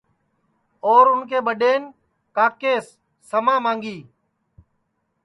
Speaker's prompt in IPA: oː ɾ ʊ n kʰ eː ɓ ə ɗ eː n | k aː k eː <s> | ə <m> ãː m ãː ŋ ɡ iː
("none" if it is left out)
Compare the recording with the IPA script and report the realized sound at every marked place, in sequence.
sː, m

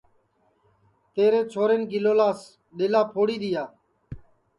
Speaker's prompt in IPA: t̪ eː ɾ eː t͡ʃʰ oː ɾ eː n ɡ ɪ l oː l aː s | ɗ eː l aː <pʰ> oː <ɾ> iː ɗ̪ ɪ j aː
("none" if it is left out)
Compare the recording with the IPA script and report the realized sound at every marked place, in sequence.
pʰ, ɽ

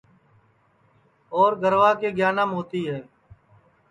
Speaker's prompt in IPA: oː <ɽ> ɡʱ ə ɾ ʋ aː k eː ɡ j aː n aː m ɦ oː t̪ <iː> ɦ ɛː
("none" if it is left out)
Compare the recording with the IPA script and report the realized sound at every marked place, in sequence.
ɾ, iː

